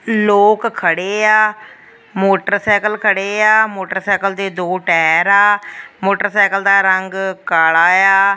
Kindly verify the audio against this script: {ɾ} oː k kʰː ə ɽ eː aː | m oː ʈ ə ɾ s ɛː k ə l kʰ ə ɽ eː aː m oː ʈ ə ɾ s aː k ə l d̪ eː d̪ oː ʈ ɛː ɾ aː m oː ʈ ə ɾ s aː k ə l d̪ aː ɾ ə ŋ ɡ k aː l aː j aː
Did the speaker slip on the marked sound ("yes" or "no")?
yes